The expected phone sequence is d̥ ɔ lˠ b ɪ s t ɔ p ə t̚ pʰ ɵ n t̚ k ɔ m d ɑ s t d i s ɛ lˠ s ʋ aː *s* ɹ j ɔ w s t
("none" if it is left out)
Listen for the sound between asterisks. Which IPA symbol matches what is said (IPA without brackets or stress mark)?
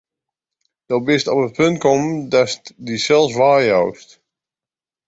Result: none